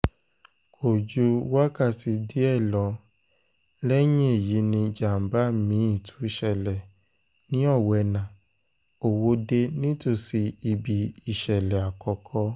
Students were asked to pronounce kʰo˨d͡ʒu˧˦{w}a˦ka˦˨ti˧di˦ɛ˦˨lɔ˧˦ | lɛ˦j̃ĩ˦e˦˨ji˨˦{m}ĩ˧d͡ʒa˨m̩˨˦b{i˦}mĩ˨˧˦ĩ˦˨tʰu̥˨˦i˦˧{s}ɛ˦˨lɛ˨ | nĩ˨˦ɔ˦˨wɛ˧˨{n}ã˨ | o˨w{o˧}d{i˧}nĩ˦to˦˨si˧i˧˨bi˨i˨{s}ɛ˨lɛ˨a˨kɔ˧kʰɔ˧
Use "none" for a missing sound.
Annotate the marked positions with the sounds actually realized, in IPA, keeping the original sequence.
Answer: w, n, a˦, ʃ, n, o˧, e˧, ʃ

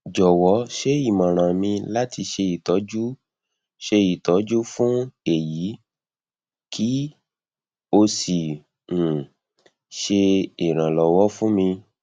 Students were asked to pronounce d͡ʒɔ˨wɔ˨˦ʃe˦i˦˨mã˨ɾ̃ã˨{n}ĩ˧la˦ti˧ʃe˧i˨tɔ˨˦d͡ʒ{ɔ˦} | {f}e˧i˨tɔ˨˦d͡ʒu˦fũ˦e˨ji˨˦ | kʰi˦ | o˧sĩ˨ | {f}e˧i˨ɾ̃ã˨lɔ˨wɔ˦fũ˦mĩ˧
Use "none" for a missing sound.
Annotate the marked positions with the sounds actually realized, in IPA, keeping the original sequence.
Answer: m, u˦, ʃ, ʃ

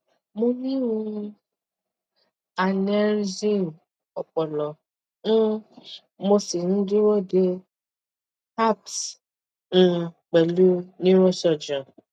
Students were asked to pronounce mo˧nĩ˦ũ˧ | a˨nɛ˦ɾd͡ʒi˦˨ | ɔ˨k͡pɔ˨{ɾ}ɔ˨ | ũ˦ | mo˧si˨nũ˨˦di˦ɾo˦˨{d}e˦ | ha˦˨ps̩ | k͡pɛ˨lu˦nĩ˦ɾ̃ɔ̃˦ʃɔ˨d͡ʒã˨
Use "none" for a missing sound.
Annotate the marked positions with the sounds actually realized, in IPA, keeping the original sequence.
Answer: l, d

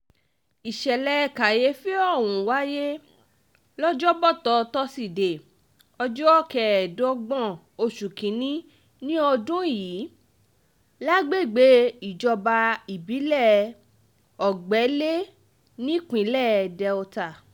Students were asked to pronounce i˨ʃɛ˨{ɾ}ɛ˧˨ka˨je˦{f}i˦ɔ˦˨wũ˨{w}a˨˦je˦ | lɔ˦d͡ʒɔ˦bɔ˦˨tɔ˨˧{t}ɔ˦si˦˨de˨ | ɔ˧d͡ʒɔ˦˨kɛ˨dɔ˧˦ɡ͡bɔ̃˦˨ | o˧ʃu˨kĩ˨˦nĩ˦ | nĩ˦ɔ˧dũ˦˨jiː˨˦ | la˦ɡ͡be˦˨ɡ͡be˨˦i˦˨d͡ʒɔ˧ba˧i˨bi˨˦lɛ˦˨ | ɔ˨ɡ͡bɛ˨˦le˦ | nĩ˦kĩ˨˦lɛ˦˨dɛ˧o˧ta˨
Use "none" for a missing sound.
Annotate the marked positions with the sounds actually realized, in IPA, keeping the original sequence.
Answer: l, f, w, t

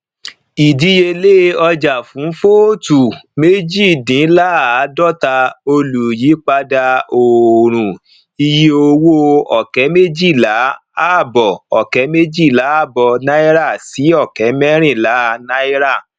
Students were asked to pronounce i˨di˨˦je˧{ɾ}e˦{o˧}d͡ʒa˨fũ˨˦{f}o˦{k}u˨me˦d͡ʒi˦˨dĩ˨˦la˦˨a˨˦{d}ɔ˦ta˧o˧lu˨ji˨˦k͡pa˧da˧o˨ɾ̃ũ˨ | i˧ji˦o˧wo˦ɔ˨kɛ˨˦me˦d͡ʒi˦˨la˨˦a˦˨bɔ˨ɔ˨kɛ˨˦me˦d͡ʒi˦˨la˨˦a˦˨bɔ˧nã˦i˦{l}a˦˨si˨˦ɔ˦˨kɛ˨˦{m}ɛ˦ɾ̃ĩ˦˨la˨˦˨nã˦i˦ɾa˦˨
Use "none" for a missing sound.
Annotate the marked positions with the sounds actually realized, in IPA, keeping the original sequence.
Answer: l, ɔ˧, f, t, d, ɾ, m

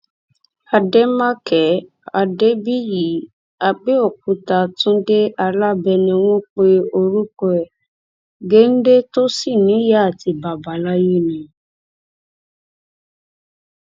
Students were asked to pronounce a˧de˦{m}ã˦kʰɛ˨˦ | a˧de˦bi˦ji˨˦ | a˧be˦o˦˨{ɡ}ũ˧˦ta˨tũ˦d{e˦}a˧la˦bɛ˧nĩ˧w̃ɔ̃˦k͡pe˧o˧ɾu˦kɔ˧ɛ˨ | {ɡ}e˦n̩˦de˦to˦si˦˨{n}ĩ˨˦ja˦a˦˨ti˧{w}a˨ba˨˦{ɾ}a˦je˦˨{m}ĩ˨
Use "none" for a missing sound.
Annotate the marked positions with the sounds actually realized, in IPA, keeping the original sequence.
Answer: m, k, e˦, ɡ, n, b, l, n

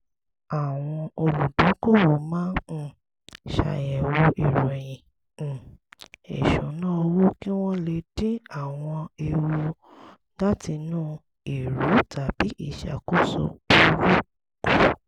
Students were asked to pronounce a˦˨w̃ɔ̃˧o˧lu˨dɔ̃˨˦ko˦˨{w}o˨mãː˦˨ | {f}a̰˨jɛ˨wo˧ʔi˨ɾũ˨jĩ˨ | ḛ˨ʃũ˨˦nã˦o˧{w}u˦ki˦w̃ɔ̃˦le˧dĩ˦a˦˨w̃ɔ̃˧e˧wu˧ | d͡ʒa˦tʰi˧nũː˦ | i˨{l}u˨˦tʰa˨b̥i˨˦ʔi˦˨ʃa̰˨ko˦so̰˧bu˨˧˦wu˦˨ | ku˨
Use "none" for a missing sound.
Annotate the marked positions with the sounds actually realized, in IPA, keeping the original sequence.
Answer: w, ʃ, w, ɾ

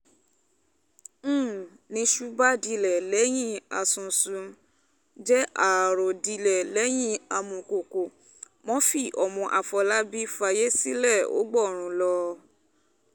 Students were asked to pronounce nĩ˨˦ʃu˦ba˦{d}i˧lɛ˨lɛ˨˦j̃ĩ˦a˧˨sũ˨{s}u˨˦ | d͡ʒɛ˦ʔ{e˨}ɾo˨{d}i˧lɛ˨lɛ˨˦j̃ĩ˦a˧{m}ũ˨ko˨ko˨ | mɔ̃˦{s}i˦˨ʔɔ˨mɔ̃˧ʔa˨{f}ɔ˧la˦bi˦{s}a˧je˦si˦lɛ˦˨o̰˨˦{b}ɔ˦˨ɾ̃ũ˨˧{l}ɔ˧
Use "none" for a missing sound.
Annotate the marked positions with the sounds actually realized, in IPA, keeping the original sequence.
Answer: d, s, a˨, d, m, f, f, f, ɡ͡b, l

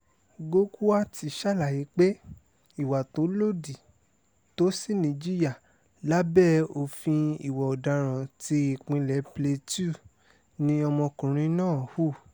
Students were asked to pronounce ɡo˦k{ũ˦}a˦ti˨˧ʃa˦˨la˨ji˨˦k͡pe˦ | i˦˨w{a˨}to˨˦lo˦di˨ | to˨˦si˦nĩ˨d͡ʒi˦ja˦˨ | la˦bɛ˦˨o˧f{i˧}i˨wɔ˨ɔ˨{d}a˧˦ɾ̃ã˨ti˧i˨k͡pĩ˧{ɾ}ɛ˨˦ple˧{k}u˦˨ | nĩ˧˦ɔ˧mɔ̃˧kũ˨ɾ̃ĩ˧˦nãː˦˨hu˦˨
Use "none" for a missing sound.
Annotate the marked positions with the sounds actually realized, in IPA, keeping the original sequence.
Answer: u˦, a˨, ĩ˧, d, l, t

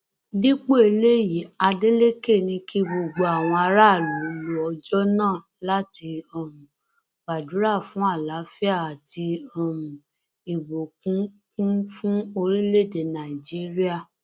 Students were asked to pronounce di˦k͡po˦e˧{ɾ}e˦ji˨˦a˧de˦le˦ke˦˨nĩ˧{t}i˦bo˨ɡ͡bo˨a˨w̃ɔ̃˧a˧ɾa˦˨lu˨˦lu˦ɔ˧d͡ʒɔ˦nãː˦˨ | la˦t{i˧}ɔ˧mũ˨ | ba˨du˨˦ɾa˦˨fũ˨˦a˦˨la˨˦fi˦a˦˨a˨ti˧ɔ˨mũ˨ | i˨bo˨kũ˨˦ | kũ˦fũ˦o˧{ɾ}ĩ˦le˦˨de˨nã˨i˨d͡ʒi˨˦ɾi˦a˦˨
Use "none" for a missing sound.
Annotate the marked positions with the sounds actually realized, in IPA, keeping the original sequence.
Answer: l, k, i˧, ɾ

